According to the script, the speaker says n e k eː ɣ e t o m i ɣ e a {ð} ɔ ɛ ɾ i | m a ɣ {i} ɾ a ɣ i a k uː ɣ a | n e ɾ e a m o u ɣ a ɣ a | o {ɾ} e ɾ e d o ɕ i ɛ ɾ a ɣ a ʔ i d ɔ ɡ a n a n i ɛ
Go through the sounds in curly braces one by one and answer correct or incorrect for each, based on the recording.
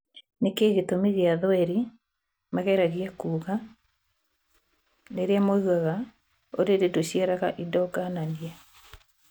correct, incorrect: ɛ, correct

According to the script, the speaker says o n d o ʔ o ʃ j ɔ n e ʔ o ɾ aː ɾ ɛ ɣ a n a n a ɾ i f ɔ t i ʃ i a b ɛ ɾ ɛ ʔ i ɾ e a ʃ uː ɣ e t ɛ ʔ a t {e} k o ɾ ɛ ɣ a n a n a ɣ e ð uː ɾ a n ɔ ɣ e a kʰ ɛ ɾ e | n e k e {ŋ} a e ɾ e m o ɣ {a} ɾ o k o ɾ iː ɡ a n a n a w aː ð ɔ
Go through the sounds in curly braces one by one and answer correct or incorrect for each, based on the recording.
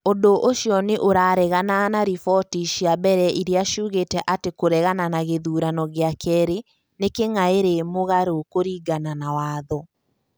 correct, correct, correct

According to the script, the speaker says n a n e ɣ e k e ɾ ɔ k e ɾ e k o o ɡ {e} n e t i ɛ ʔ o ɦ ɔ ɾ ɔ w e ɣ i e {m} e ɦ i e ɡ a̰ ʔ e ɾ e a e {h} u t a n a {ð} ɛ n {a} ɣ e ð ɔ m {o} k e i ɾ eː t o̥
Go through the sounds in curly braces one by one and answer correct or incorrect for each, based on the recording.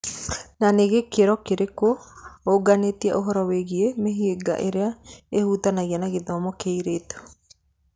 incorrect: a, correct, correct, incorrect: ɣ, correct, incorrect: ɔ

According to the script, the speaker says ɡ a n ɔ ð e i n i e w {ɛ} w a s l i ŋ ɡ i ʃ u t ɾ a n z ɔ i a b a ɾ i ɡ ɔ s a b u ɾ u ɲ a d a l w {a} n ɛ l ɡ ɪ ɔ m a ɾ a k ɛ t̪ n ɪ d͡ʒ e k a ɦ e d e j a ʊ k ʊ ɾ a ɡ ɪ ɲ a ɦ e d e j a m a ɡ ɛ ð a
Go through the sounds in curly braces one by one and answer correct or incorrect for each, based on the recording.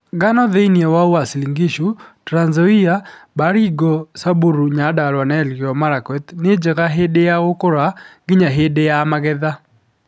incorrect: a, correct

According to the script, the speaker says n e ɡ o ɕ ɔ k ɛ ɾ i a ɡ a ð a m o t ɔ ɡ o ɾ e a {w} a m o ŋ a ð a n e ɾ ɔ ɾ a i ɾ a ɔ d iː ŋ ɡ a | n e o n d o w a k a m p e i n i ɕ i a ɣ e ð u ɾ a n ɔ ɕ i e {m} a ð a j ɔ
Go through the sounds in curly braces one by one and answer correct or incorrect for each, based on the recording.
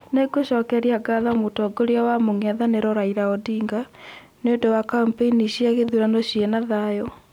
correct, incorrect: n

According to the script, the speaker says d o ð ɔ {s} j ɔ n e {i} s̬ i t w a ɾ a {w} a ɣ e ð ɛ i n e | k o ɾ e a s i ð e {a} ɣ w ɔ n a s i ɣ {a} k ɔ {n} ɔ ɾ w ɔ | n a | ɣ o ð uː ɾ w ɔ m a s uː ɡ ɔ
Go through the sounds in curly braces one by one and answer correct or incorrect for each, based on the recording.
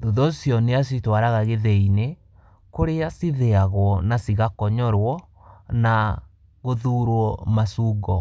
correct, incorrect: a, incorrect: ɣ, correct, correct, incorrect: ɲ

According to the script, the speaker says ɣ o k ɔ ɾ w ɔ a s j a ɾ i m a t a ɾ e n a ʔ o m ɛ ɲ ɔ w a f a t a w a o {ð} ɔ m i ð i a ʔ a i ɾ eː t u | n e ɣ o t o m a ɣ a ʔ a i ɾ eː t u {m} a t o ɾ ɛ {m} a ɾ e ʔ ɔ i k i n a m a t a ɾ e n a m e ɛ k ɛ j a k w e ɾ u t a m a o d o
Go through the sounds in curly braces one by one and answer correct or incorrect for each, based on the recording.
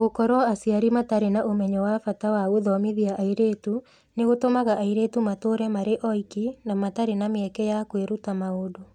correct, correct, correct

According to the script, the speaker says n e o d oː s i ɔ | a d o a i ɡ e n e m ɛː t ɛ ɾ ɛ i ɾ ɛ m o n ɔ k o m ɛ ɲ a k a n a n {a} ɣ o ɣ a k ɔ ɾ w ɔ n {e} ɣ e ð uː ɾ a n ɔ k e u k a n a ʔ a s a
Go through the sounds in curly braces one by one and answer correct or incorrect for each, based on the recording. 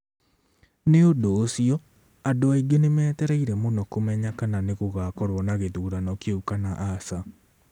incorrect: e, incorrect: a

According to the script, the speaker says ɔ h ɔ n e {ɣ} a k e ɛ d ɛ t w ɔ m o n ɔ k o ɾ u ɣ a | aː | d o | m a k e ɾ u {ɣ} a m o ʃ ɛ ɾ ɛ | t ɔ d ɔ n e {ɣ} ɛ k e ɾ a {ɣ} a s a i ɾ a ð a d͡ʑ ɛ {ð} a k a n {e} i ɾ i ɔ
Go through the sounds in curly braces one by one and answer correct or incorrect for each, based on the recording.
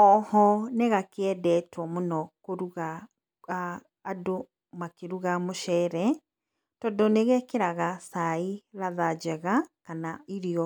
correct, correct, correct, correct, incorrect: ɣ, incorrect: a

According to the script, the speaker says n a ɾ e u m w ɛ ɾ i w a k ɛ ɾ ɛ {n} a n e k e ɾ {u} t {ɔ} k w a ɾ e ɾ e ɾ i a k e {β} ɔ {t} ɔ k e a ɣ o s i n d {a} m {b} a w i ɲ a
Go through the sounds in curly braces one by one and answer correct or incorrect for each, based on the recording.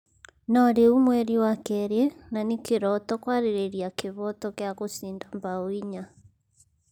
correct, incorrect: ɔ, correct, correct, correct, correct, correct

